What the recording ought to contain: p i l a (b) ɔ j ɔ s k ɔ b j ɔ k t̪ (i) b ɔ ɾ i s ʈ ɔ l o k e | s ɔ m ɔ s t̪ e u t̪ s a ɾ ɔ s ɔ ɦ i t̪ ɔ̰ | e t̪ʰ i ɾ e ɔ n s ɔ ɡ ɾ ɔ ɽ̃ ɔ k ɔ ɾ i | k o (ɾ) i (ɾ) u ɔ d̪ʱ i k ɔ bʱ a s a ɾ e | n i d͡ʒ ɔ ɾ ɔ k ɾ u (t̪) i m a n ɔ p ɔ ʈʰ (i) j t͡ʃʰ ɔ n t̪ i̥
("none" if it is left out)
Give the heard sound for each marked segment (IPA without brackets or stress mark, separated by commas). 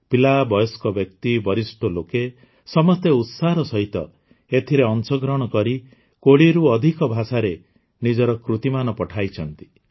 b, i, ɽ, ɾ, t̪, a